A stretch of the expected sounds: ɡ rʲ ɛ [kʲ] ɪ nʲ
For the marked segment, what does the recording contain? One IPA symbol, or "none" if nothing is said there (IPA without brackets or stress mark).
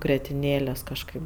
tʲ